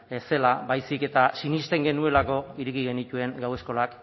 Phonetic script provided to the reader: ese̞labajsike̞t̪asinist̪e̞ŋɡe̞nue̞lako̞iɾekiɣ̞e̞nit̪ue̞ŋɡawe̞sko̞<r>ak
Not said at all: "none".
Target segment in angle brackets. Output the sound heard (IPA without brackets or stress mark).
l